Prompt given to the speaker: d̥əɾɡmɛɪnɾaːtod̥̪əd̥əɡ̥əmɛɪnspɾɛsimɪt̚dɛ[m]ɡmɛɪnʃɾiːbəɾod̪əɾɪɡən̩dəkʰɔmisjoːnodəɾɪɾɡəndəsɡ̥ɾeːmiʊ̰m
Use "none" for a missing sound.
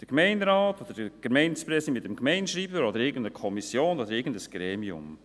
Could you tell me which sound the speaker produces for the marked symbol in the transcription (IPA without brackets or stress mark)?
m